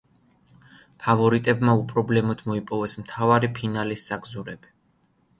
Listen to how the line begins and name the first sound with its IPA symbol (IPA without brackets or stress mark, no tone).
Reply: pʰ